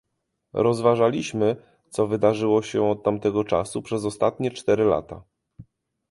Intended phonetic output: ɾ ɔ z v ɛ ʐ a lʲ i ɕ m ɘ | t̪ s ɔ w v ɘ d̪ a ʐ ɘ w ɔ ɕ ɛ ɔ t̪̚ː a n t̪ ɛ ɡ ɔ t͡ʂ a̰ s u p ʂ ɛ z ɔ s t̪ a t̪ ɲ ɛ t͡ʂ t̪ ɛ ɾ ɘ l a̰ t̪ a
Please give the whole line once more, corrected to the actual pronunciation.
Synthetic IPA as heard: ɾ ɔ z v a ʐ a lʲ i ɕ m ɘ | t̪ s ɔ v ɘ d̪ a ʐ ɘ w ɔ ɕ ɛ ɔ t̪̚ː a m t̪ ɛ ɡ ɔ t͡ʂ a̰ s u p ʂ ɛ z ɔ s t̪ a t̪ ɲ ɛ t͡ʂ t̪ ɛ ɾ ɘ l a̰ t̪ a